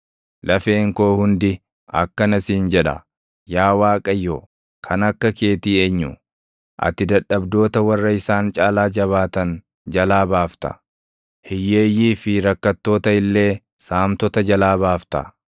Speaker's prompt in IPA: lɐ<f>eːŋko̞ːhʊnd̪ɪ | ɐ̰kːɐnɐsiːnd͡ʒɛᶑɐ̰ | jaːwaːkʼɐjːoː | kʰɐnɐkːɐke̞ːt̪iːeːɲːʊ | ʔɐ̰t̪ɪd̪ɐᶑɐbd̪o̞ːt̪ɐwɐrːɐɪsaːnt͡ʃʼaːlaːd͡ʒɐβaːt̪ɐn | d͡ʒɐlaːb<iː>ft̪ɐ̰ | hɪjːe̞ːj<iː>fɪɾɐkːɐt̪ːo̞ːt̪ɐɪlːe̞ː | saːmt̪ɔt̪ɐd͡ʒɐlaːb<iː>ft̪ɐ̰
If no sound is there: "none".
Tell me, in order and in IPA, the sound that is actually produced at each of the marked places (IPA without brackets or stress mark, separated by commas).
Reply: f, aː, iː, aː